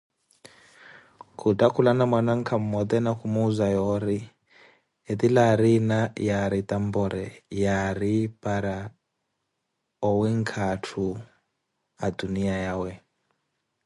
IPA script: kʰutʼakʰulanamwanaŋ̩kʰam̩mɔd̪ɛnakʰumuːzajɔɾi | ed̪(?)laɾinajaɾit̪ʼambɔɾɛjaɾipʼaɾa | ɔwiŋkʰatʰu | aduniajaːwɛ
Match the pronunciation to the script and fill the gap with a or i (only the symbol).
i